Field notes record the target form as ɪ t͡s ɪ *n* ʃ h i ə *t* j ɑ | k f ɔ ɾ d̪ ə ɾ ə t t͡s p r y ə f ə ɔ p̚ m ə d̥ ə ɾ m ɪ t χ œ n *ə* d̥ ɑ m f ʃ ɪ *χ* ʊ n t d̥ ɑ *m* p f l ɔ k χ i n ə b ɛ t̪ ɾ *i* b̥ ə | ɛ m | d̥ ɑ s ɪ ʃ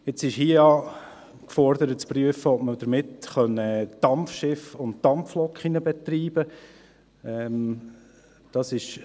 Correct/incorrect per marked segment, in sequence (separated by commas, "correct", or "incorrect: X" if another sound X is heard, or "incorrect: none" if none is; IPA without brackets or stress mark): incorrect: none, incorrect: none, correct, incorrect: f, correct, incorrect: iː